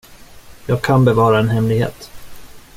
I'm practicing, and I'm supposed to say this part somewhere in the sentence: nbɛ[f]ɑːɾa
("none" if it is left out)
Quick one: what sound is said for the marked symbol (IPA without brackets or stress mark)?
v